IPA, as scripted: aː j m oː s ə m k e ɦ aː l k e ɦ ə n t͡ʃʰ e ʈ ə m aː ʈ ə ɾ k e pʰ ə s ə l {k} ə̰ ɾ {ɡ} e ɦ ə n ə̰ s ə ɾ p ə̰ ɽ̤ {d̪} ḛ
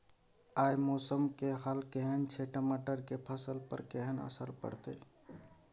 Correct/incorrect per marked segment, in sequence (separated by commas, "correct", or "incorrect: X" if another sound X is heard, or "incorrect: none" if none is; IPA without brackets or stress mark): incorrect: p, incorrect: k, incorrect: t̪